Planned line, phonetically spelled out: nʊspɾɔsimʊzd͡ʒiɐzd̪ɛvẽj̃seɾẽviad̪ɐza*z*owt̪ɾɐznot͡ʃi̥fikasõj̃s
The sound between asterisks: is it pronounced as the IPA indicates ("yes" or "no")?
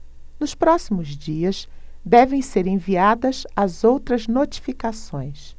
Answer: yes